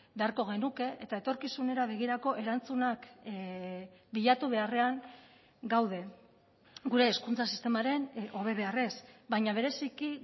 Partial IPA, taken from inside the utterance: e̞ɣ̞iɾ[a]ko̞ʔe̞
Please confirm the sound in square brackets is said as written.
yes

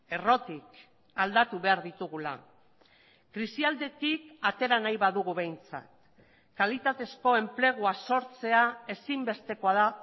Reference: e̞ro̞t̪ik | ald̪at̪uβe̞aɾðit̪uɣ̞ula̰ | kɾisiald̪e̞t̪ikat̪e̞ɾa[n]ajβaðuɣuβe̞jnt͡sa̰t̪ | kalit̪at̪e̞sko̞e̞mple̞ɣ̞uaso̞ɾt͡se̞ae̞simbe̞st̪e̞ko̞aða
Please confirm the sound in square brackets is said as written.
yes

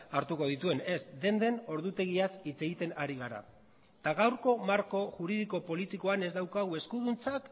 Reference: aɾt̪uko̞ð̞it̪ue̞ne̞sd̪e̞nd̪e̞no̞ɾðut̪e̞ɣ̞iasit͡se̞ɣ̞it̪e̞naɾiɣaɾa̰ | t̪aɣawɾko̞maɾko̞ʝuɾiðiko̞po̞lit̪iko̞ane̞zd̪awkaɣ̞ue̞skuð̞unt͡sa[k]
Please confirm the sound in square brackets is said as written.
yes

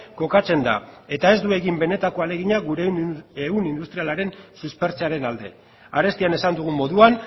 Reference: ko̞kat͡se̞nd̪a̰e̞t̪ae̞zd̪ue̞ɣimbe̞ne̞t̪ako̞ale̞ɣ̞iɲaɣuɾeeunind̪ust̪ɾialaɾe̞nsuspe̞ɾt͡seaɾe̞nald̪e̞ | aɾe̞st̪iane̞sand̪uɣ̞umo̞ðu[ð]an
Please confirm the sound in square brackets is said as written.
no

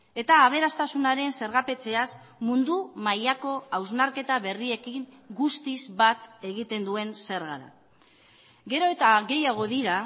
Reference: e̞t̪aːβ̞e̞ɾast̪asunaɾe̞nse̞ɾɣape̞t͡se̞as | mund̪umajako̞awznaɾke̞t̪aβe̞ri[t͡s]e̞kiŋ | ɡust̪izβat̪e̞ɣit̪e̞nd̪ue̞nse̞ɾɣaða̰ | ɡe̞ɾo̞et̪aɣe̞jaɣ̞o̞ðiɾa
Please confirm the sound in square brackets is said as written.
no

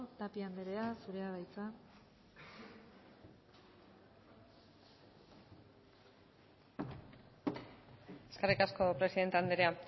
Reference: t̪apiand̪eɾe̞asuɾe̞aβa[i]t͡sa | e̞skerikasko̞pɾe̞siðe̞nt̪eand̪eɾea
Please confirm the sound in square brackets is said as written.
no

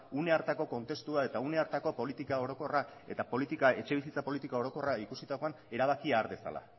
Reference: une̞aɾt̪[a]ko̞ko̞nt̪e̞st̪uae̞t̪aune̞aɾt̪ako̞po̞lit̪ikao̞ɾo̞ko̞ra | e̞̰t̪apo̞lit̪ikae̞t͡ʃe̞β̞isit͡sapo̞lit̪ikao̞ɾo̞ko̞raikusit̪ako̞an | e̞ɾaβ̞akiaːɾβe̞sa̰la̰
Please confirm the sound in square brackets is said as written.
yes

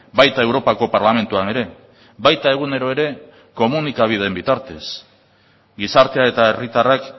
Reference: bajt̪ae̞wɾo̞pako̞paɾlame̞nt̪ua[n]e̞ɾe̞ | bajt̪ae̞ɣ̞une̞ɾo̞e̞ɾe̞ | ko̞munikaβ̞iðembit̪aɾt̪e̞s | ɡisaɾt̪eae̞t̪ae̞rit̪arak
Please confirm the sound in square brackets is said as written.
yes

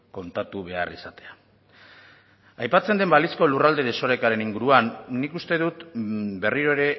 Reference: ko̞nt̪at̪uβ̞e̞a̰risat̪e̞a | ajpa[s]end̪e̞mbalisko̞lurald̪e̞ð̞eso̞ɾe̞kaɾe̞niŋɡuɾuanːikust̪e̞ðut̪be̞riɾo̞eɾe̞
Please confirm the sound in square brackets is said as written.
no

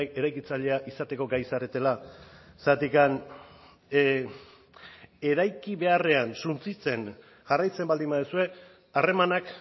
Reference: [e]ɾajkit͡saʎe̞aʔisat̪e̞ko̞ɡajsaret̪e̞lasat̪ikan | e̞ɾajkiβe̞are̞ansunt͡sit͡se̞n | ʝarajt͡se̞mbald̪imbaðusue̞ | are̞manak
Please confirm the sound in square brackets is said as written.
yes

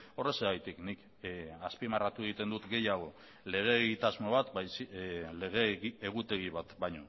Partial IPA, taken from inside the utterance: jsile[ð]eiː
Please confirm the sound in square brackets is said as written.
no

